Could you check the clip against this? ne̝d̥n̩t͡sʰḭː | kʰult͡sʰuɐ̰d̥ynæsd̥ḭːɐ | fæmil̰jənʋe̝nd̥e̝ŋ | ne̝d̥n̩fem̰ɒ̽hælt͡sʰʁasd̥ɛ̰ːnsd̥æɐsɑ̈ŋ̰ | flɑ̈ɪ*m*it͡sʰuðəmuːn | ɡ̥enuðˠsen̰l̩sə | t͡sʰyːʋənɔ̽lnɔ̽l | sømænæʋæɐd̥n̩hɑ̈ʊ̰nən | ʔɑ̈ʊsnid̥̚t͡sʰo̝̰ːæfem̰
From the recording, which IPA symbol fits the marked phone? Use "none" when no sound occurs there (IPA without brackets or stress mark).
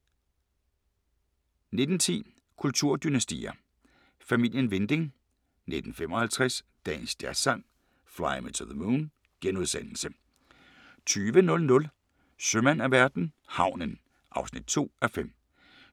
m